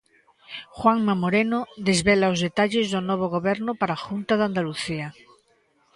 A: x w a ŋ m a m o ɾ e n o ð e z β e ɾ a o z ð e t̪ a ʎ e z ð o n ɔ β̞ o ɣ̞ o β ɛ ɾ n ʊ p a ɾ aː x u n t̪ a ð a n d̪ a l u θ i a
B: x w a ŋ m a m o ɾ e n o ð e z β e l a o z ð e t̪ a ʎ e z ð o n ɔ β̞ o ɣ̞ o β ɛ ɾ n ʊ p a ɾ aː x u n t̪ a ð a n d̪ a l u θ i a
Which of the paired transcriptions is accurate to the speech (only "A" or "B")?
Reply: B